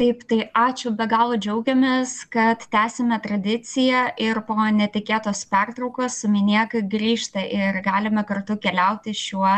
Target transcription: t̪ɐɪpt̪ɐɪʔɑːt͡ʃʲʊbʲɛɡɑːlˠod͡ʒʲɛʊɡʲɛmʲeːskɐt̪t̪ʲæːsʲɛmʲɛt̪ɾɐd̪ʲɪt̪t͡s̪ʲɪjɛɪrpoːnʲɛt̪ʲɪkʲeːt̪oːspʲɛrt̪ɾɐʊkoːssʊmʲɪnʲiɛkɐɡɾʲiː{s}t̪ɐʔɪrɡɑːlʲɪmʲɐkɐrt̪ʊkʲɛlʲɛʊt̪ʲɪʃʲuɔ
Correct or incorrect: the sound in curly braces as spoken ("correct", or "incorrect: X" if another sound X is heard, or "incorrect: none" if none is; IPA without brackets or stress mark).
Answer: incorrect: ʃ